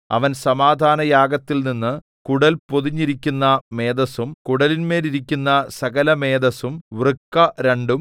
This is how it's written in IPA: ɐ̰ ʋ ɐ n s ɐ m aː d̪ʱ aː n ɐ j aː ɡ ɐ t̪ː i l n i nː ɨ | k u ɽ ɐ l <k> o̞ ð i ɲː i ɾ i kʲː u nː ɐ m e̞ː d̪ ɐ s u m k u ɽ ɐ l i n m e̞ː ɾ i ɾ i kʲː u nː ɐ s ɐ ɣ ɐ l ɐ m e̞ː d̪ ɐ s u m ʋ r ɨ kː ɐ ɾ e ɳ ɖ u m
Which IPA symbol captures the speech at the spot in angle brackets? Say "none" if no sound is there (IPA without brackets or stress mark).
p